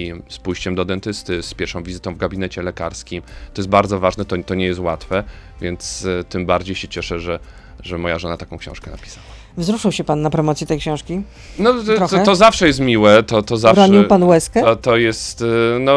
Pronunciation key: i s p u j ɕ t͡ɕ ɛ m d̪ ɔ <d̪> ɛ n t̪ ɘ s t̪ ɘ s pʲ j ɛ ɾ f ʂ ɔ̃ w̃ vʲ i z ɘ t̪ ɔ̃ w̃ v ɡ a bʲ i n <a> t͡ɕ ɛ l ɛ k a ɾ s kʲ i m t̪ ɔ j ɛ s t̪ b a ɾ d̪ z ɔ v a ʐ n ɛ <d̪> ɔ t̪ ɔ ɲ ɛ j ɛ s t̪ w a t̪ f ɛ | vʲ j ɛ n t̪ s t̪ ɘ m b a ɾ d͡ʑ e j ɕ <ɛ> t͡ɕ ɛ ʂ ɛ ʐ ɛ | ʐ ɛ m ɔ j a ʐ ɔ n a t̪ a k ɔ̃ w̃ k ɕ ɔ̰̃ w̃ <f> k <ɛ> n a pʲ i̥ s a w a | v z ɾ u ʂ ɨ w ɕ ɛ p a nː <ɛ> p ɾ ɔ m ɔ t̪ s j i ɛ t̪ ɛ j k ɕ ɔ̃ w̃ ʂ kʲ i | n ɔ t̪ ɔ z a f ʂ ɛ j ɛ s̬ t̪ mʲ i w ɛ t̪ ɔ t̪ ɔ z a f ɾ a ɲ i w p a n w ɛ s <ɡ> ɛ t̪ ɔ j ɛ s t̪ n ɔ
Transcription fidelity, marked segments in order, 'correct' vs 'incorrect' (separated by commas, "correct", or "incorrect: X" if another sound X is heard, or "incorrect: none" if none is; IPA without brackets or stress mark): correct, incorrect: ɛ, incorrect: t̪, correct, incorrect: ʂ, correct, incorrect: a, incorrect: k